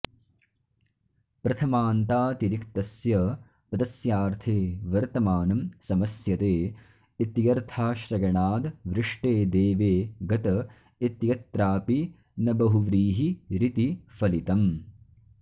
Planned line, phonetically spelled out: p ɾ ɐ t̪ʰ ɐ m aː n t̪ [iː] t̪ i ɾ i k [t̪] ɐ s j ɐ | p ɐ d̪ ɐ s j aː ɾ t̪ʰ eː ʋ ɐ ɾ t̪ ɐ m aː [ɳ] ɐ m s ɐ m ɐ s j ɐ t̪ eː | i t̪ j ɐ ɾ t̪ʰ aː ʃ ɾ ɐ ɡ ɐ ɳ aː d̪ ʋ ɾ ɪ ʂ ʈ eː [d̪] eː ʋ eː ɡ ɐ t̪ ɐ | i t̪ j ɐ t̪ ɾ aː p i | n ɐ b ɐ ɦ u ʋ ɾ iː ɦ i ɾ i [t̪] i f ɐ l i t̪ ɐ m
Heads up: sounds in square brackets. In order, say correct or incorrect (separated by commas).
incorrect, correct, incorrect, correct, correct